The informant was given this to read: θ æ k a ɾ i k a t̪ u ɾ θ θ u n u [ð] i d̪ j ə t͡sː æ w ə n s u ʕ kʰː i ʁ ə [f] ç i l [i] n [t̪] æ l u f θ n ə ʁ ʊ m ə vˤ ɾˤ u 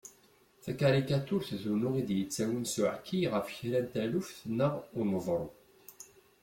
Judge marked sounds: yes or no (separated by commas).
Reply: no, yes, no, yes